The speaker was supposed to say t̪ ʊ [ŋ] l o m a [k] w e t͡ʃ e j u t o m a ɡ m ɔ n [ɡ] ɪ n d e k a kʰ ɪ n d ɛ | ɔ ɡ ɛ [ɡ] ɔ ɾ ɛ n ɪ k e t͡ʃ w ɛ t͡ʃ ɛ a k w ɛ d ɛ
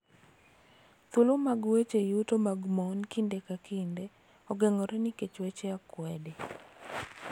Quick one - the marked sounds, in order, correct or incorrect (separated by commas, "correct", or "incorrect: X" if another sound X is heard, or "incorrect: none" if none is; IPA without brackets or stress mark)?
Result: incorrect: none, incorrect: ɡ, incorrect: k, incorrect: ŋ